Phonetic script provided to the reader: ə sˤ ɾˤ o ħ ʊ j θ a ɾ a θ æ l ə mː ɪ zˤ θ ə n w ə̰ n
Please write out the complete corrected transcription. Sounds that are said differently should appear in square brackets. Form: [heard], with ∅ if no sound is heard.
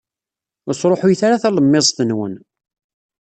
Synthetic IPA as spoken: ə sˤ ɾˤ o ħ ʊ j θ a ɾ a θ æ l ə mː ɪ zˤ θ ə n w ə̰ n

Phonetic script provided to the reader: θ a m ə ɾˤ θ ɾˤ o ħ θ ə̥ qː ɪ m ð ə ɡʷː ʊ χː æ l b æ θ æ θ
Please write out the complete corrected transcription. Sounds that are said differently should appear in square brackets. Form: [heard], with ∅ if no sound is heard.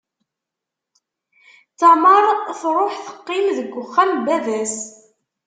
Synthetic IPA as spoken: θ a m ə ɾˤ θ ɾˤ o ħ θ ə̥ qː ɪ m ð ə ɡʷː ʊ χː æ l b æ [ð] æ [s]

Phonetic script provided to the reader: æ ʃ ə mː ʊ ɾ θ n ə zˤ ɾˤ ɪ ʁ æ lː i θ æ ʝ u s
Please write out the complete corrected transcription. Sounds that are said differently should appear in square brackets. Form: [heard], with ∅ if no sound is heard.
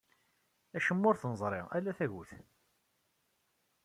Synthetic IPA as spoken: æ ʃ ə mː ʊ ɾ θ n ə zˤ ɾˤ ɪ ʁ æ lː [æ] θ æ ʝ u [θ]

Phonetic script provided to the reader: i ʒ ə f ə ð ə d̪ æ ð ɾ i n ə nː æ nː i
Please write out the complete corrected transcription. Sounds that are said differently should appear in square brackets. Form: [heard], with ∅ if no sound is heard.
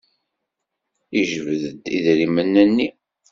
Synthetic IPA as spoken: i ʒ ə [v] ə ð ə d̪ [i] ð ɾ i [m] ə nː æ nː i

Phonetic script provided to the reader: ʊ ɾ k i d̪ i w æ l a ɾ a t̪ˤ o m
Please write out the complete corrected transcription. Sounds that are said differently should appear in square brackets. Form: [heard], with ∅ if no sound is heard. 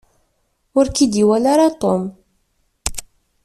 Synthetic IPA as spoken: ʊ ɾ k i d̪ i w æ l a ɾ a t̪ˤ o m

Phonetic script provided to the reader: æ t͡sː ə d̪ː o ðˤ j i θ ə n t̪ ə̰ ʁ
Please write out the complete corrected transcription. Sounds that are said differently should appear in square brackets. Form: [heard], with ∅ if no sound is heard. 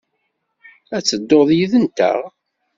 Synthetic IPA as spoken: æ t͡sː ə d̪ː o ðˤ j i [ð] ə n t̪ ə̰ ʁ

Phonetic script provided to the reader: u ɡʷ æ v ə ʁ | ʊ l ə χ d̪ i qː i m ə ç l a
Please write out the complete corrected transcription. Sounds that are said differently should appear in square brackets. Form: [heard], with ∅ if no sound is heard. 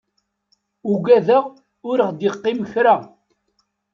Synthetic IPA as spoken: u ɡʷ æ [ð] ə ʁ | ʊ [ɾ] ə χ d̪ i qː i m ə ç [ɾ] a

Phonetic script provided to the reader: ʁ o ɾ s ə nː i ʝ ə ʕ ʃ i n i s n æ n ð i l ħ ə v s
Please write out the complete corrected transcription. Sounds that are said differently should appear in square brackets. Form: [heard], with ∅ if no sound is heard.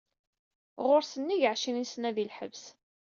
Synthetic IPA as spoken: ʁ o ɾ s ə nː i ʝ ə ʕ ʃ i n i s n æ [∅] ð i l ħ ə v s

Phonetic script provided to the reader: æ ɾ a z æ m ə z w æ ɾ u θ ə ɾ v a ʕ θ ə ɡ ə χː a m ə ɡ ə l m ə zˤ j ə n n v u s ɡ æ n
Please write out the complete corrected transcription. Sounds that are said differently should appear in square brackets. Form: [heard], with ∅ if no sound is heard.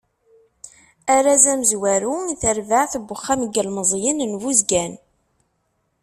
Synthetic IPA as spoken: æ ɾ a z æ m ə z w æ ɾ u θ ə ɾ v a ʕ θ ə [b] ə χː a m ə ɡ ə l m ə zˤ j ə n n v u [z] ɡ æ n

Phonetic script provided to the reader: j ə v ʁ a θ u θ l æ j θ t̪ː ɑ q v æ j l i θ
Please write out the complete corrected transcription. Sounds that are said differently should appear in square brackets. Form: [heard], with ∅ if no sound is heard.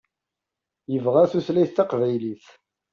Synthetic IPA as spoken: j ə v ʁ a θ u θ l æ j θ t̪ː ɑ q v æ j l i θ

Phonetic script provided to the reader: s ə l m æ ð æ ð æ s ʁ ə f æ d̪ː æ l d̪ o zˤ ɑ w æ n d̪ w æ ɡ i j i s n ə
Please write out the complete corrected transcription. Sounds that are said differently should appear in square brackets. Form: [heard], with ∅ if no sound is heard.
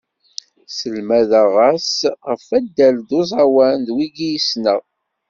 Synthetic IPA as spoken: s ə l m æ ð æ [ʁ] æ s ʁ ə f æ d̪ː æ l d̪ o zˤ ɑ w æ n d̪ w [i] ɡ i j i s n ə

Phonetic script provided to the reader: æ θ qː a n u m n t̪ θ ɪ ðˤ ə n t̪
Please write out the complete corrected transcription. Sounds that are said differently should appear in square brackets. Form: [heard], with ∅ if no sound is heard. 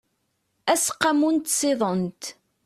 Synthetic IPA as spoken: æ [s] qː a [m] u [∅] n t̪ [s] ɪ ðˤ ə n t̪

